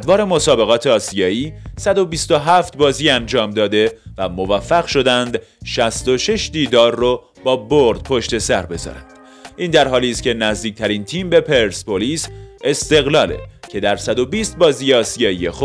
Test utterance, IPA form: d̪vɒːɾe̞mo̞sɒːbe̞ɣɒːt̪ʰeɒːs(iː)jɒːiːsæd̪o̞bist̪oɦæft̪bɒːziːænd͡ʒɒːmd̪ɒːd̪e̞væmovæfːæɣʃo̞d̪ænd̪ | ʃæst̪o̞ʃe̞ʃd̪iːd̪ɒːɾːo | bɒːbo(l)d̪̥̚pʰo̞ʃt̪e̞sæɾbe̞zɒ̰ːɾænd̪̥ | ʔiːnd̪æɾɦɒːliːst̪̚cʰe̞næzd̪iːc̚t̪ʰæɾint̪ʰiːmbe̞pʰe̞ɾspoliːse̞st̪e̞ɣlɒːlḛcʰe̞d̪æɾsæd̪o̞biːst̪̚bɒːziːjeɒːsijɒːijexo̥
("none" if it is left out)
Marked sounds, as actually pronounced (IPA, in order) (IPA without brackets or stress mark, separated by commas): i, ɾ